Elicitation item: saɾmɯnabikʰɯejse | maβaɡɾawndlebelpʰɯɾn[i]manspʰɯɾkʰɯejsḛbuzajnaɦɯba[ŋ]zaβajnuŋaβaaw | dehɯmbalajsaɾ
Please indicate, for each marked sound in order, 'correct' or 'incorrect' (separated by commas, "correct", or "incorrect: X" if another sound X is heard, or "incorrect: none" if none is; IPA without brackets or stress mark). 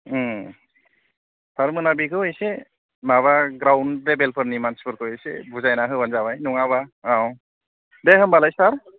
correct, incorrect: n